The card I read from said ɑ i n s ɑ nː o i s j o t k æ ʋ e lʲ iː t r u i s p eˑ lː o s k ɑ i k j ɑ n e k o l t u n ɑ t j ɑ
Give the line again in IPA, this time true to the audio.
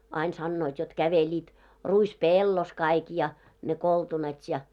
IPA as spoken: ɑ i n s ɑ nː o i t j o t k æ ʋ e lʲ iː t r u i s p eˑ lː o s k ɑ i k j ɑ n e k o l t u n ɑ t j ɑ